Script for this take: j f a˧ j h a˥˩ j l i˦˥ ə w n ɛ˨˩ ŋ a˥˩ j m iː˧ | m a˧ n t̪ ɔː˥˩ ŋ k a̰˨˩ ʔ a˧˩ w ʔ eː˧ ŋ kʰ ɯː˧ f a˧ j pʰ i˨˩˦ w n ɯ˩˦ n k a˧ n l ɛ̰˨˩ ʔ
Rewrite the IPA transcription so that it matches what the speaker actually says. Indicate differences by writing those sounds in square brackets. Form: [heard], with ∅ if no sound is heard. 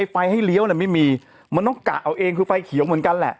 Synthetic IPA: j f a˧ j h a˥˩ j l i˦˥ ə w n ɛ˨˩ [m] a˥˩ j m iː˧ | m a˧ n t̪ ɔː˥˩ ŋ k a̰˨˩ ʔ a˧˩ w ʔ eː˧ ŋ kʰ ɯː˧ f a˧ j [kʰ] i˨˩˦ w [m] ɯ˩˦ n k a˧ n l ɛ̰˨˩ ʔ